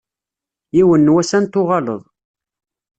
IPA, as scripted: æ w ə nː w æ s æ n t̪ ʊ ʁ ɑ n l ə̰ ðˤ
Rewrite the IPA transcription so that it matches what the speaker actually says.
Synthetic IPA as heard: i w ə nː w æ s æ n t̪ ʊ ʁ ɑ l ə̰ ðˤ